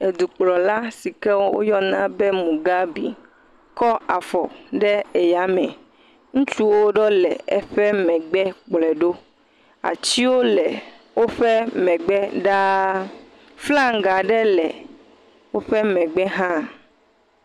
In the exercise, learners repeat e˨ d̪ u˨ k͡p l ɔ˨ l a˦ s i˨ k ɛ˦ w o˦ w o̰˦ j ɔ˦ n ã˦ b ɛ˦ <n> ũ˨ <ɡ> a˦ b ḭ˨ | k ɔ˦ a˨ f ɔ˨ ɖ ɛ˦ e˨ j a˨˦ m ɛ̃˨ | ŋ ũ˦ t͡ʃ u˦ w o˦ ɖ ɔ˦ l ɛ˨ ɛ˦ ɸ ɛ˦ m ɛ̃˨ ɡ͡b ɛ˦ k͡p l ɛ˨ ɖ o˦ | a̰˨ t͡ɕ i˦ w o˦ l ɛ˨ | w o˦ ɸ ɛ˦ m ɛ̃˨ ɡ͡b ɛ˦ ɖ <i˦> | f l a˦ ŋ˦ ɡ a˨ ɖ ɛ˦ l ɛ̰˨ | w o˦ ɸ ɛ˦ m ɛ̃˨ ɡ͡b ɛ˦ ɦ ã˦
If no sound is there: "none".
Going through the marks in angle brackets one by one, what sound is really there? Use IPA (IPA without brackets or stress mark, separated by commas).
m, ɡ, a˦